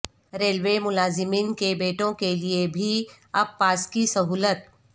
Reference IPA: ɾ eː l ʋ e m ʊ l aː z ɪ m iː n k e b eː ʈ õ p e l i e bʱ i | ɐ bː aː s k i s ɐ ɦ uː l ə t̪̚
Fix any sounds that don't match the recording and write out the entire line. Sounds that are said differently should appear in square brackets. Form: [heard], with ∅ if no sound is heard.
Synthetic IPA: ɾ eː l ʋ e m ʊ l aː z ɪ m iː n k e b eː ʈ õ [k] e l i e bʱ i | ɐ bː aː s k i s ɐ ɦ uː l ə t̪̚